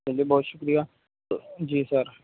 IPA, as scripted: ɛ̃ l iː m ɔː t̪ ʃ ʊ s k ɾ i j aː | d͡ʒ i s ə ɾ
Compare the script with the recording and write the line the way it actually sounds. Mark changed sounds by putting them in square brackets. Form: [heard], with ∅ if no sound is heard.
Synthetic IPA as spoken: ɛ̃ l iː [b] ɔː t̪ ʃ ʊ [∅] k ɾ i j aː | d͡ʒ [iː] s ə ɾ